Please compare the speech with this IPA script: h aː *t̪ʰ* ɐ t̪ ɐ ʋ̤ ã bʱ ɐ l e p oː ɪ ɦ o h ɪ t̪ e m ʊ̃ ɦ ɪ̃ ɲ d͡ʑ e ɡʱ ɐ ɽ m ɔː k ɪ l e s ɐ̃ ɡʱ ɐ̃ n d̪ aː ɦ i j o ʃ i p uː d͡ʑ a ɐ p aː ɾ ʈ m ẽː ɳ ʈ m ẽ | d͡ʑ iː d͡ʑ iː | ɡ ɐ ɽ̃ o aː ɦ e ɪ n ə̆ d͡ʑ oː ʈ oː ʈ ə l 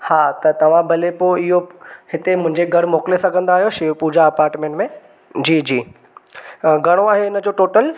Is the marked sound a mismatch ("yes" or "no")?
yes